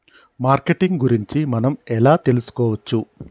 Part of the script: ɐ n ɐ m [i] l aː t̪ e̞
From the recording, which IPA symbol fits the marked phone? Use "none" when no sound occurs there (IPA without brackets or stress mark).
ɛ